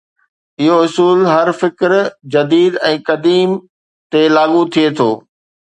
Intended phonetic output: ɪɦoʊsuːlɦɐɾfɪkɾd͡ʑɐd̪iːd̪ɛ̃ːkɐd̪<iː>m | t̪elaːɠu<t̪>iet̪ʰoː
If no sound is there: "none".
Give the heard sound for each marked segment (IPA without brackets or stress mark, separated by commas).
iː, t̪ʰ